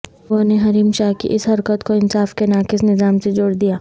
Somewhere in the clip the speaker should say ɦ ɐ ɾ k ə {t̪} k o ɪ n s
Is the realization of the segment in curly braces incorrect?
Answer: no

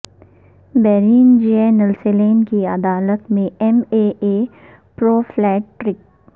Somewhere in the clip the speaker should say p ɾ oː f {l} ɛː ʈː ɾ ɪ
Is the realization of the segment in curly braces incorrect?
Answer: no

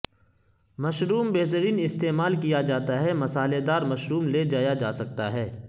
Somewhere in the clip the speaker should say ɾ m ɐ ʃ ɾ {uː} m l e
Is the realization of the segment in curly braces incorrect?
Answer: no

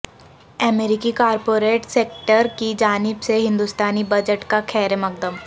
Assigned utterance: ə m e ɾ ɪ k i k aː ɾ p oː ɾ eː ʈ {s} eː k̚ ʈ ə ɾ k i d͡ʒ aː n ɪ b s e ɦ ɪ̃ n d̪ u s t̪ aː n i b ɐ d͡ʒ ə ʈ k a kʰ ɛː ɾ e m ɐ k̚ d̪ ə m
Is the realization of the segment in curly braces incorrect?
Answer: no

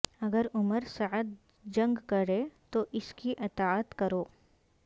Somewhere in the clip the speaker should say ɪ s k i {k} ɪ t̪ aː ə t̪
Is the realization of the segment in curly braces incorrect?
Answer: yes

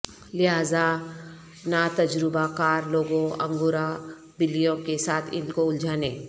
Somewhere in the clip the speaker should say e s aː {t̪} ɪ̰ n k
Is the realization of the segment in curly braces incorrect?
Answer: yes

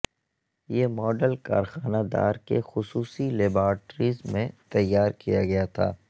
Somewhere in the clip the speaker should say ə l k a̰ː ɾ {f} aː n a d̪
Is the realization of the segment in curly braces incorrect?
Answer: yes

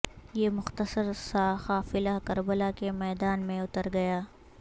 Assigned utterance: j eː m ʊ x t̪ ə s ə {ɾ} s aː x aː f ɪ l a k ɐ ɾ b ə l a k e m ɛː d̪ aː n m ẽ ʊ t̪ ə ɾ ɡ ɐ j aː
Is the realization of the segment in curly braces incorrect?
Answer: no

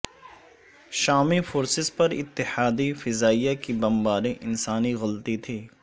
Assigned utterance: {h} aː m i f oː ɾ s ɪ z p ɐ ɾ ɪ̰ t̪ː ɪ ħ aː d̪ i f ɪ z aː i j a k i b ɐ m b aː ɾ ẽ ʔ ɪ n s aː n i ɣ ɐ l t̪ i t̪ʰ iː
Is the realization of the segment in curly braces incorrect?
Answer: yes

